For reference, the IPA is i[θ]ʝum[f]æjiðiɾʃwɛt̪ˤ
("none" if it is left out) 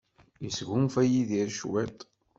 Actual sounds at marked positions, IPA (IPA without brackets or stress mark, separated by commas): s, f